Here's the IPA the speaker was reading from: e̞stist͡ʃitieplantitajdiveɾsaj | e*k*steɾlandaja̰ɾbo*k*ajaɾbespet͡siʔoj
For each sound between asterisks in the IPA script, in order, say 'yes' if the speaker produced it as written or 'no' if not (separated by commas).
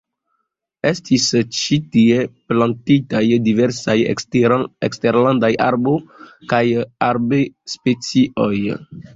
yes, yes